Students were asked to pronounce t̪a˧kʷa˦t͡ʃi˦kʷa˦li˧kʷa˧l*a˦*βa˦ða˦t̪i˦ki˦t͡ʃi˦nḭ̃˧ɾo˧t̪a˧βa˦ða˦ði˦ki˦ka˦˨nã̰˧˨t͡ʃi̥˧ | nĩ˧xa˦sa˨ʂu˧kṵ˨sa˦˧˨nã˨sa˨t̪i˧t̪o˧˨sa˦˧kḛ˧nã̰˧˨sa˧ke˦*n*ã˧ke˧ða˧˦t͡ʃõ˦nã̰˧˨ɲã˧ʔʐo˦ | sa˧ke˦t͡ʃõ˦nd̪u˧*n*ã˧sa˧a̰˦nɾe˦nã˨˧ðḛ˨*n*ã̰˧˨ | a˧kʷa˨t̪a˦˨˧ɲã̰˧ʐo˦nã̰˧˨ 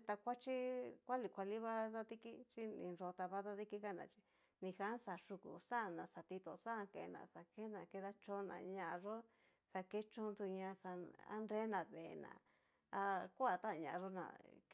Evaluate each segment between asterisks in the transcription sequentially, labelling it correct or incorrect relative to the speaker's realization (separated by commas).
incorrect, correct, incorrect, correct